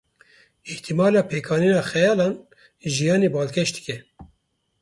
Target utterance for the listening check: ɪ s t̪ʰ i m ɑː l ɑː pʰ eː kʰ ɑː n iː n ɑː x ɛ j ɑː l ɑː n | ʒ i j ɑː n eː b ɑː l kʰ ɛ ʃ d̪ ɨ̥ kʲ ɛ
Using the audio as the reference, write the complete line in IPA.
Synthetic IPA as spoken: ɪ h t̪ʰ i m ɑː l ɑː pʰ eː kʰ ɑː n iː n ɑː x ɛ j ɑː l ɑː n | ʒ i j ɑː n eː b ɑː l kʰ ɛ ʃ d̪ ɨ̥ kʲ ɛ